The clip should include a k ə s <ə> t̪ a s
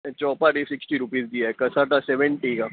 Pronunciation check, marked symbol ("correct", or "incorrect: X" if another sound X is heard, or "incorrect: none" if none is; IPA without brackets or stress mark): incorrect: a